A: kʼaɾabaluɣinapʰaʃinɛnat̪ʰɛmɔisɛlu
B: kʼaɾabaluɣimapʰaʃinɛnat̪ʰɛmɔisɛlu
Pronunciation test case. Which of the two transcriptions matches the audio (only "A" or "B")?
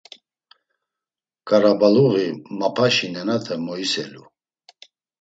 B